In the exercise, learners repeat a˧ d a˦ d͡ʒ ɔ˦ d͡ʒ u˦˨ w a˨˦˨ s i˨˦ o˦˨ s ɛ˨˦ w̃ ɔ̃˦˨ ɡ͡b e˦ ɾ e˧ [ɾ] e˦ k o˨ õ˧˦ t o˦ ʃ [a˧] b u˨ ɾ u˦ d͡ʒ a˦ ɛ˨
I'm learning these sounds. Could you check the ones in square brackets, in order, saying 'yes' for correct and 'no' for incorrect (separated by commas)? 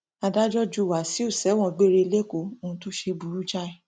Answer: no, no